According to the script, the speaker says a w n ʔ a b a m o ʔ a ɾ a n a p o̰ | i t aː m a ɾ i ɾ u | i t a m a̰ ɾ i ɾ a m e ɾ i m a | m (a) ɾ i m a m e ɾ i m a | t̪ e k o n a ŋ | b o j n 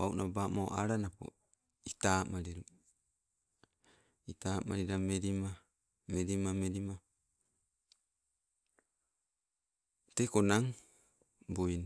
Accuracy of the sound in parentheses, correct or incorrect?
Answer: incorrect